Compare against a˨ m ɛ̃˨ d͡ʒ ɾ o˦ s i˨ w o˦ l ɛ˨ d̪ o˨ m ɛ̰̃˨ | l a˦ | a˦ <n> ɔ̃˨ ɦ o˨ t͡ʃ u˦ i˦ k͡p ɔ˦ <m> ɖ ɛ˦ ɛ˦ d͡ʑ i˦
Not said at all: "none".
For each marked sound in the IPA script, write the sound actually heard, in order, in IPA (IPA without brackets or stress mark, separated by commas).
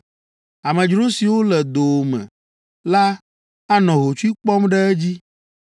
n, m